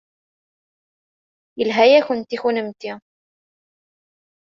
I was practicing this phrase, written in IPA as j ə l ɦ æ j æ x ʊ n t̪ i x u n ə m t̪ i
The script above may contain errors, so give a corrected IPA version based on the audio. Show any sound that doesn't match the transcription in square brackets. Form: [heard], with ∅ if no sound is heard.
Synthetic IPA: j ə l ɦ æ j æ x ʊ n t̪ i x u n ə m t̪ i